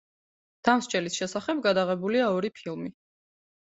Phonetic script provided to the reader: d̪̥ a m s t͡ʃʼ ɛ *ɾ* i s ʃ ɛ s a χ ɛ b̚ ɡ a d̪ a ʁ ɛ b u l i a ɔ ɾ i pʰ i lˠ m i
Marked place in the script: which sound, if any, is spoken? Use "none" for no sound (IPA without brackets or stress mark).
l